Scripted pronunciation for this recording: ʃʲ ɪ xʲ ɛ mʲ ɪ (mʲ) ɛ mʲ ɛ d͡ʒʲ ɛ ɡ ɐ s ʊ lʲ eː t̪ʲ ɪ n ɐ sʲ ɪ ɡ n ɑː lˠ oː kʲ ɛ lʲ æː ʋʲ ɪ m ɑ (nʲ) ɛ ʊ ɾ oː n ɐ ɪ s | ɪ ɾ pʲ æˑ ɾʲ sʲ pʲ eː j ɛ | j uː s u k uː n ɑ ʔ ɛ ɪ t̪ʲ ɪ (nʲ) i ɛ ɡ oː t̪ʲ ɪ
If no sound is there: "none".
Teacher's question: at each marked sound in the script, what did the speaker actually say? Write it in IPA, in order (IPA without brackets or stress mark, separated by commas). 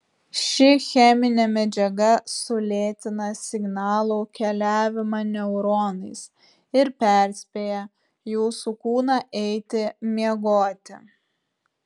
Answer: nʲ, nʲ, mʲ